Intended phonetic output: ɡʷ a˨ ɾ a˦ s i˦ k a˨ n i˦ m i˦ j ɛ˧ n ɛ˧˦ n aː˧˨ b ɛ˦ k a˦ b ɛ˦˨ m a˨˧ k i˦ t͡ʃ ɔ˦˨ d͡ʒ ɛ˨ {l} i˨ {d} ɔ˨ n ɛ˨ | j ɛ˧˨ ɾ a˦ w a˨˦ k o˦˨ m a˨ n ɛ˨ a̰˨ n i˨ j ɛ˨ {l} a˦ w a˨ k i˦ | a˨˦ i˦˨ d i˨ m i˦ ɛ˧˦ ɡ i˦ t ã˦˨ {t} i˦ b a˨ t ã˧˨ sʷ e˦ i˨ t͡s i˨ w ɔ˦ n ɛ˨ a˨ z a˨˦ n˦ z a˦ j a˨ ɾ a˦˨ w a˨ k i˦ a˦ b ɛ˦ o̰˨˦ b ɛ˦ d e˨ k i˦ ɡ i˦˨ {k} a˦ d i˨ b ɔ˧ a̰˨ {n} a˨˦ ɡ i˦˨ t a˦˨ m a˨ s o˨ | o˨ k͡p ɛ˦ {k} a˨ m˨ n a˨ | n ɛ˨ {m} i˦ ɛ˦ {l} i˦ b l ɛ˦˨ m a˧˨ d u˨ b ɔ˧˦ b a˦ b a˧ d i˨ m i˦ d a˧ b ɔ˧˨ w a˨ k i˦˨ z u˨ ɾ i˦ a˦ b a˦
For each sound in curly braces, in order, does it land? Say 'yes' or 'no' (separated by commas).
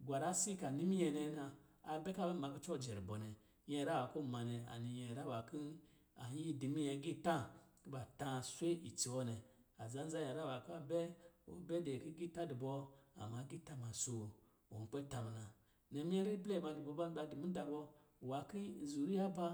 no, no, no, no, no, no, no, yes, no